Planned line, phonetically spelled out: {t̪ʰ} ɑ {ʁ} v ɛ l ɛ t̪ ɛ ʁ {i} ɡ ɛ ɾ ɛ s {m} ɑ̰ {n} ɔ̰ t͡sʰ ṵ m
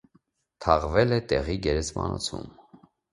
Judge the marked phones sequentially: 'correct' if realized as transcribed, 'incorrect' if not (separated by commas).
correct, correct, correct, correct, correct